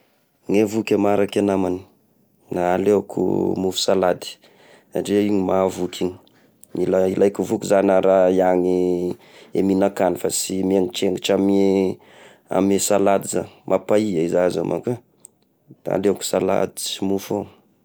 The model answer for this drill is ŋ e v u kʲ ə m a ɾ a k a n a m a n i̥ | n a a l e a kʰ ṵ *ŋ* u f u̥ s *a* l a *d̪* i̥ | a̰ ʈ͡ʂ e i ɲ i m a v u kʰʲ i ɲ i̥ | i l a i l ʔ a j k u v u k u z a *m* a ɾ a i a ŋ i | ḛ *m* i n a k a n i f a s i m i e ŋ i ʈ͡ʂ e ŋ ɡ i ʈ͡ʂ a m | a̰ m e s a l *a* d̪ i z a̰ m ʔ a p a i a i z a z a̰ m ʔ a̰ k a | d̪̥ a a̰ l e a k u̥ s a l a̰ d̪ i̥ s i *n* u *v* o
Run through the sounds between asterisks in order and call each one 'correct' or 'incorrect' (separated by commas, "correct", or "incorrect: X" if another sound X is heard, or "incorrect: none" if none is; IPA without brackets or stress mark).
incorrect: m, correct, correct, incorrect: n, correct, correct, incorrect: m, incorrect: f